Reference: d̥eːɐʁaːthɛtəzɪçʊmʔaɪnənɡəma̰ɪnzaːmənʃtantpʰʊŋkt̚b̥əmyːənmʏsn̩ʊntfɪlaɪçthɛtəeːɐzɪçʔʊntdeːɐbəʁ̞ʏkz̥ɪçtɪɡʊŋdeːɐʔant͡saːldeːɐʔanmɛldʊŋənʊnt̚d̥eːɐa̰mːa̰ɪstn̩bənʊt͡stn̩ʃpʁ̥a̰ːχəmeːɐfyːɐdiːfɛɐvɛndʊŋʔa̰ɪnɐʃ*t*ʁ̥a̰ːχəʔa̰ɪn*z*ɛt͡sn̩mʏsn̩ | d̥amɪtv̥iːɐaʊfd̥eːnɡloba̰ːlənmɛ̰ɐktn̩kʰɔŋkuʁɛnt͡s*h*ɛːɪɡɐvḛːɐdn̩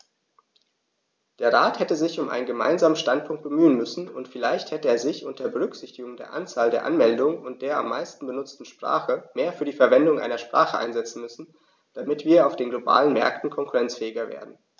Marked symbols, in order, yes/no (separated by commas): no, yes, no